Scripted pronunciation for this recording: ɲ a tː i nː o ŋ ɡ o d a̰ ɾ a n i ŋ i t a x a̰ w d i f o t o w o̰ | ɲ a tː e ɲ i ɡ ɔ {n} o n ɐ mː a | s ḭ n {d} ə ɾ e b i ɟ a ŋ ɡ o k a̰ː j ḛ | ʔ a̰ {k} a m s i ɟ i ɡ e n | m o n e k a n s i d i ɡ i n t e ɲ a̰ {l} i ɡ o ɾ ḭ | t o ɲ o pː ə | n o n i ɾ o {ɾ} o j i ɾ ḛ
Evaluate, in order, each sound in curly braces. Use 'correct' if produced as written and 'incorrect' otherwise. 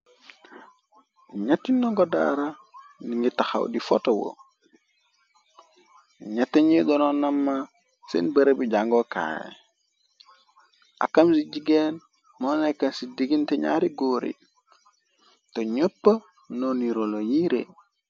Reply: correct, incorrect: b, correct, incorrect: ɾ, incorrect: l

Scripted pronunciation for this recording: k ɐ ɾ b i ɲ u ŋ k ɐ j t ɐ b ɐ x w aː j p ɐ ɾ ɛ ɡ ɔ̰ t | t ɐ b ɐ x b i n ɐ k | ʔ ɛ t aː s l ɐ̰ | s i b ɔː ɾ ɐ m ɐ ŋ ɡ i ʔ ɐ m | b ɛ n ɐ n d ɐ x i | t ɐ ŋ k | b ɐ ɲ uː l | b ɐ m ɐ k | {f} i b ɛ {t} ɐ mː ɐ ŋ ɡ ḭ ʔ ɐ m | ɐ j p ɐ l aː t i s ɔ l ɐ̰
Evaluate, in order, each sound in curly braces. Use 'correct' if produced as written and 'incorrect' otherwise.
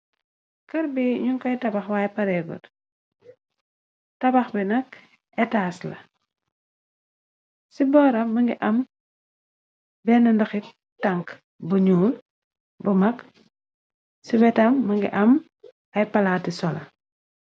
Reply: incorrect: s, correct

